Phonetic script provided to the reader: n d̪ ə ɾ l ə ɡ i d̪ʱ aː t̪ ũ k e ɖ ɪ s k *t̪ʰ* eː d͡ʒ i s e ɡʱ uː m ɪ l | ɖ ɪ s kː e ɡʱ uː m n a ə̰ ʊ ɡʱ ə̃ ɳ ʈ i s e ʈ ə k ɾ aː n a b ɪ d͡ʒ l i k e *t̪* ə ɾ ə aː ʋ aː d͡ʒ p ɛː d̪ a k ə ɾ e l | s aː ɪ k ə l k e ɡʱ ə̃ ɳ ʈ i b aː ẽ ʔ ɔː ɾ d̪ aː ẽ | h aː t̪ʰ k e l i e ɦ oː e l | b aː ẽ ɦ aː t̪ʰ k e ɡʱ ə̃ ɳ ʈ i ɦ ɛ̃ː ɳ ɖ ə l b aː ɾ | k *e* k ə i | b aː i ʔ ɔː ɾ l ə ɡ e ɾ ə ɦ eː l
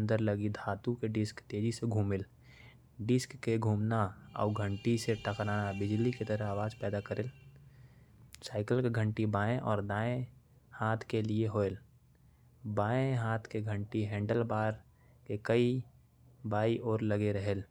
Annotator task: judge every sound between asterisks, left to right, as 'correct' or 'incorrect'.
incorrect, correct, correct

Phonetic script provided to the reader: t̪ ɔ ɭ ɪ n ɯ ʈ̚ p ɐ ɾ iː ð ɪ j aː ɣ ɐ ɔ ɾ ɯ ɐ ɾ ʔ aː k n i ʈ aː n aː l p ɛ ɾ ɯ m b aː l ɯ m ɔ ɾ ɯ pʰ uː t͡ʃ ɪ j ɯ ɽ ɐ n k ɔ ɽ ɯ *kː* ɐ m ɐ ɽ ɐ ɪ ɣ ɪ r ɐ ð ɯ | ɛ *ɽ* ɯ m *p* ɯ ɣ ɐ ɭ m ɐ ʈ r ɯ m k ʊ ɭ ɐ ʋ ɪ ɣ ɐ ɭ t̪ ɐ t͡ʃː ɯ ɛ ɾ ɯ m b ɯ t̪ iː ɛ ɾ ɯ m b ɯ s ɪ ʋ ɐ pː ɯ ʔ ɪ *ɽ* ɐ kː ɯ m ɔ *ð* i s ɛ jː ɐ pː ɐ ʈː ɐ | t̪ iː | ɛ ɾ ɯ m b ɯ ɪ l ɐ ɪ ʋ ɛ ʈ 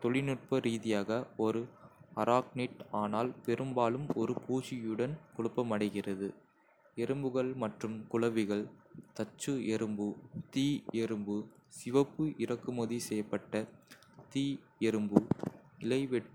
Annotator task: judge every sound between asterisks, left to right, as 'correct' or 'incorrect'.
incorrect, incorrect, incorrect, incorrect, correct

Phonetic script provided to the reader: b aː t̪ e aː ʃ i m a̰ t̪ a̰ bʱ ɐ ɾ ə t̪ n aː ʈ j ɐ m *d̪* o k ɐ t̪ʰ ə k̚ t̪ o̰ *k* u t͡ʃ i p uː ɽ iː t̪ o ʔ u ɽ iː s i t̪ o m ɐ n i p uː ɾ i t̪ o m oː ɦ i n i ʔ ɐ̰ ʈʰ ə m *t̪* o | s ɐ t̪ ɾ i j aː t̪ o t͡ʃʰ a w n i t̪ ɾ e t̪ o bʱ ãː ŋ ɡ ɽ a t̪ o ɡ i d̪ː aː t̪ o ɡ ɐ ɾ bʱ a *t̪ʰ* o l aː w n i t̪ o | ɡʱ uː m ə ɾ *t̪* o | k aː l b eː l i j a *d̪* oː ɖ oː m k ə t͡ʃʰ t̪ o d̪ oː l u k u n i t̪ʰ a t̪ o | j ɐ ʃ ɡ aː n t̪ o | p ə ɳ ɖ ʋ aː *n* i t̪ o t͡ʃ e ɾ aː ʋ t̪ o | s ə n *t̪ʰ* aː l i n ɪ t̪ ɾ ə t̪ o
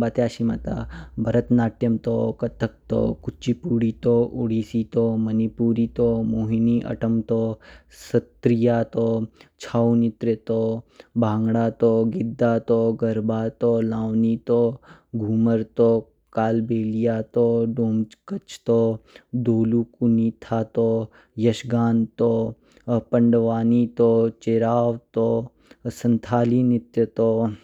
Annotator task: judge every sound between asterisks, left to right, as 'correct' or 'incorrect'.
incorrect, correct, correct, incorrect, correct, incorrect, correct, correct

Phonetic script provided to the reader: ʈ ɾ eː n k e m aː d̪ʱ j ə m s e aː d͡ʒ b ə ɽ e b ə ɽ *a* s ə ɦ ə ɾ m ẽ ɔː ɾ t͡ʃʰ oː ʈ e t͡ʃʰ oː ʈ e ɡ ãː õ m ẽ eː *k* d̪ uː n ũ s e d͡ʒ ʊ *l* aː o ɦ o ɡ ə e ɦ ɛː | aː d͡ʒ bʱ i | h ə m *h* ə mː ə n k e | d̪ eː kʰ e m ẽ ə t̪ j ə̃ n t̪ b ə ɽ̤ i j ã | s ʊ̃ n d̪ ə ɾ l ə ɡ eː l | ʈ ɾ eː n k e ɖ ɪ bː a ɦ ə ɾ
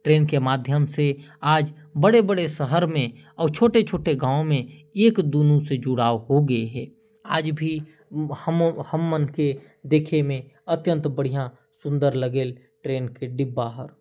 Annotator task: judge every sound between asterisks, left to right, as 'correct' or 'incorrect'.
incorrect, correct, incorrect, correct

